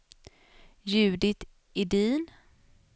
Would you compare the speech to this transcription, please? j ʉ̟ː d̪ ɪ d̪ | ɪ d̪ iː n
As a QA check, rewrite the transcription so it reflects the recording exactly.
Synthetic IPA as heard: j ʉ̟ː d̪ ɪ t̪ | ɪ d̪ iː n